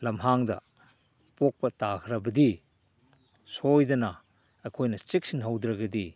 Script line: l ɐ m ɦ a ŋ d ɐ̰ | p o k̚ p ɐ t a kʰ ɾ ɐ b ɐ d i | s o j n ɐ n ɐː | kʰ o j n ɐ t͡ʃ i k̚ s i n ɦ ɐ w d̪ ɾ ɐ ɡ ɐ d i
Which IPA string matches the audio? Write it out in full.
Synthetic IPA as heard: l ɐ m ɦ a ŋ d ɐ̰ | p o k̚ p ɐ t a kʰ ɾ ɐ b ɐ d i | s o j d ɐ n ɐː | kʰ o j n ɐ t͡ʃ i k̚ s i n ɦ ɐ w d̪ ɾ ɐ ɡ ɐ d i